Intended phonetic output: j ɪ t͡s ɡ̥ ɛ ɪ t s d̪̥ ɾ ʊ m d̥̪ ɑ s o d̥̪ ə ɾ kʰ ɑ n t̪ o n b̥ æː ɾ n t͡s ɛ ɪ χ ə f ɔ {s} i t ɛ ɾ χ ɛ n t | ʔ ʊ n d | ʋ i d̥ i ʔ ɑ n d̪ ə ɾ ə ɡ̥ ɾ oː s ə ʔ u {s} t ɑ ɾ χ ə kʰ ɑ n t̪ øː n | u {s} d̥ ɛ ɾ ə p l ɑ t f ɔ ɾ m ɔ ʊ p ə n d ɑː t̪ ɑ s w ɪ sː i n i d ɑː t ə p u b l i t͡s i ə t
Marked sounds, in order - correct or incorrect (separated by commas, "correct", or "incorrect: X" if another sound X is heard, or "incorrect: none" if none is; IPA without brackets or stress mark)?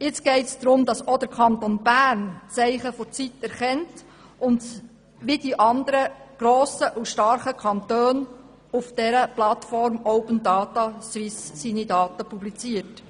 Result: incorrect: t͡s, incorrect: ʃ, incorrect: f